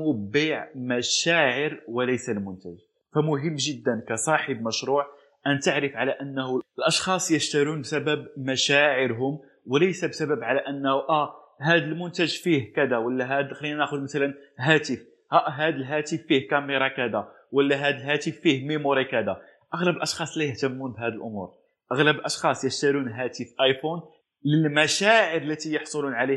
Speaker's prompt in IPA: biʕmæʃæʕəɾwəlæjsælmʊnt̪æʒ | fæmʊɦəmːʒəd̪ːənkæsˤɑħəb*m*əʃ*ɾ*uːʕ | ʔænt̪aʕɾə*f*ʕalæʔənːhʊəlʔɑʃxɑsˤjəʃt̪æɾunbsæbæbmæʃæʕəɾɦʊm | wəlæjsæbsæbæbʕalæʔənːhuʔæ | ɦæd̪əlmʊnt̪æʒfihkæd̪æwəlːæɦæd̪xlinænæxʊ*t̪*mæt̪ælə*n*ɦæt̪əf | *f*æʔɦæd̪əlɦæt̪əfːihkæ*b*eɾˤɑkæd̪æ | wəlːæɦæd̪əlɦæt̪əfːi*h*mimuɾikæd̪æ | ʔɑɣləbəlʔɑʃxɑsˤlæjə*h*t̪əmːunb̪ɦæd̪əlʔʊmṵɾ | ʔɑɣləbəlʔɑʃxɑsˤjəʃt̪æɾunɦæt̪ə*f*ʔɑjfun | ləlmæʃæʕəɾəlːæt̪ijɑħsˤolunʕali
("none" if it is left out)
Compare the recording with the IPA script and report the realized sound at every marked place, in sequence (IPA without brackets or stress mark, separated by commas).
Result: m, ɾ, f, d̪, n, h, m, h, h, f